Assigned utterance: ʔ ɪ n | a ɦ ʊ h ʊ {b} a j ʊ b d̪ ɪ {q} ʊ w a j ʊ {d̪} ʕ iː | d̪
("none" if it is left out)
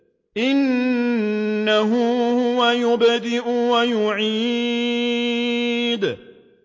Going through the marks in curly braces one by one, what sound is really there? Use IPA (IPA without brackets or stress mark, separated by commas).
w, ʔ, none